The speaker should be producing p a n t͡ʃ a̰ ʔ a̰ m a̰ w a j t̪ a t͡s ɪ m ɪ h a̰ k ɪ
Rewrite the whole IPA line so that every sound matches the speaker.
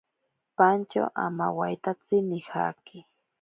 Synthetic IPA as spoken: p a n t͡ʃ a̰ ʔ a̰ m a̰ w a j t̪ a t͡s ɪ n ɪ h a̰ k ɪ